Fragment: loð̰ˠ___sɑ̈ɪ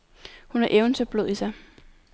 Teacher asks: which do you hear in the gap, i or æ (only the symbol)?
i